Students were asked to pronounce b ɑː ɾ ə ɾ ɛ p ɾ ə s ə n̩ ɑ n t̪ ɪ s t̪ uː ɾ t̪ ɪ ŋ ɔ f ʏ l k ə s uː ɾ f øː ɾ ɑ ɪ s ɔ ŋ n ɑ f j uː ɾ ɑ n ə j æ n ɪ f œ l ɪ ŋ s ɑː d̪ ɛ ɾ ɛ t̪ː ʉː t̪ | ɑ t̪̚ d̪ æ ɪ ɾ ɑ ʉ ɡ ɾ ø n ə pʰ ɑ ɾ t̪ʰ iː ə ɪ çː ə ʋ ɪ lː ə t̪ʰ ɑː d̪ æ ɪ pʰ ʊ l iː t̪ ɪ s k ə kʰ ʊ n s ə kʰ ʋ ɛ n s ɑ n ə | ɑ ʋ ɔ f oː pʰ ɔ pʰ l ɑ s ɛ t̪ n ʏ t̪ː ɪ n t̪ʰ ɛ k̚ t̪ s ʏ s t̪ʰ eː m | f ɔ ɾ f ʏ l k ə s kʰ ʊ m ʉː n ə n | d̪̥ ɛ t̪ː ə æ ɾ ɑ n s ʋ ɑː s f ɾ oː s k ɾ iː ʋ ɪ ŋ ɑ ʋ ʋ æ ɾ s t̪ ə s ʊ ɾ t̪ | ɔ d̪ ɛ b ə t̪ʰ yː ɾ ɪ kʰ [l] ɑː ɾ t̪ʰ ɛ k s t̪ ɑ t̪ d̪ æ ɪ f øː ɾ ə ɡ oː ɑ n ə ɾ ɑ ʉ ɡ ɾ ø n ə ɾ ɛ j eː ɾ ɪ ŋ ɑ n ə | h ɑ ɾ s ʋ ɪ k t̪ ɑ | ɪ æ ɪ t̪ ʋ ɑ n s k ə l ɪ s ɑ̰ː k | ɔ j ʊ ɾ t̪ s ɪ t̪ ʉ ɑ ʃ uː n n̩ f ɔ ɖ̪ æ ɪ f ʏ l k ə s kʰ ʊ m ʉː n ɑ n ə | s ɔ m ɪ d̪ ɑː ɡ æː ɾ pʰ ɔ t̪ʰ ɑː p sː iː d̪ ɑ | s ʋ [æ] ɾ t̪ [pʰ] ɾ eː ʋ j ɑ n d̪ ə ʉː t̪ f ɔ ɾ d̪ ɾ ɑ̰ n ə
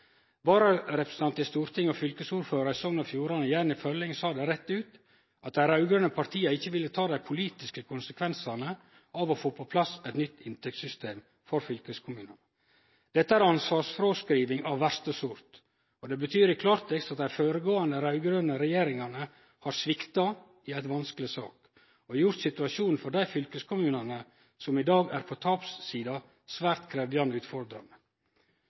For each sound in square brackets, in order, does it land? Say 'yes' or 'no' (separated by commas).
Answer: yes, no, no